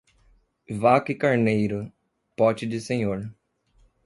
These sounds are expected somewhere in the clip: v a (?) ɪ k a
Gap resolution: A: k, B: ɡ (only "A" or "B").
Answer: A